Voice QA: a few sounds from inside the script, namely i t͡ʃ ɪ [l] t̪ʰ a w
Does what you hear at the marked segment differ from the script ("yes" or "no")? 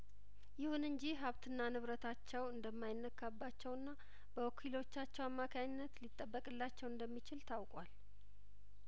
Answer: no